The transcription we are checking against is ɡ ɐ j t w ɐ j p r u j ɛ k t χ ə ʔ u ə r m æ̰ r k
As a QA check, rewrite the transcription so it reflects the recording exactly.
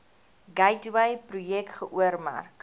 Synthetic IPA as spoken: ɡ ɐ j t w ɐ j p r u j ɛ k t χ ə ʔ u ə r m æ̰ r k